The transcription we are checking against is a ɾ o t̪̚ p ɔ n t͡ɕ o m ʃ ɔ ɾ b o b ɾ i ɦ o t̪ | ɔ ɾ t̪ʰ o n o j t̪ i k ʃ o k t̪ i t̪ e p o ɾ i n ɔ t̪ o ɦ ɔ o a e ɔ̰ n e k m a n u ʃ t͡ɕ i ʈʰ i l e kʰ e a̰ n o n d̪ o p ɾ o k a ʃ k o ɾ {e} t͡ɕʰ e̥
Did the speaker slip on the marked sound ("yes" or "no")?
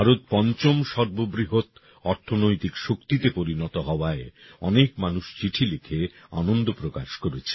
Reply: no